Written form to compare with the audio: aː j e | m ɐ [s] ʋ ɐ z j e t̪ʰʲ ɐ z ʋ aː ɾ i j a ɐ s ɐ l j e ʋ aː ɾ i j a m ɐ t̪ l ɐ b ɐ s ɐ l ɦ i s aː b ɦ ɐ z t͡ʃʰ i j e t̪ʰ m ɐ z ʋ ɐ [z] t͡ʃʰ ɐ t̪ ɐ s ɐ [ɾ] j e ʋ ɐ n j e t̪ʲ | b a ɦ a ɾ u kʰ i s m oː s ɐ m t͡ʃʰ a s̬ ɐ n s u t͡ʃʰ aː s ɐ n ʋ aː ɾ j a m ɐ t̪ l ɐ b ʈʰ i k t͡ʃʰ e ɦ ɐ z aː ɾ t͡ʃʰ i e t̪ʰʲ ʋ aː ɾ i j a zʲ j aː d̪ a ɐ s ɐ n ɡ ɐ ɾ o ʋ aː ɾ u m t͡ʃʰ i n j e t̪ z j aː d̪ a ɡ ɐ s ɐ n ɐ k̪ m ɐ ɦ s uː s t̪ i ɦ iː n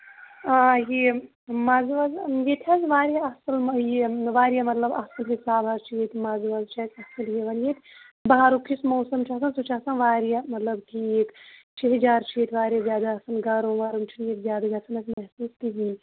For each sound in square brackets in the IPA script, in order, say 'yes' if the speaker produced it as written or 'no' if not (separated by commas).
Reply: no, yes, no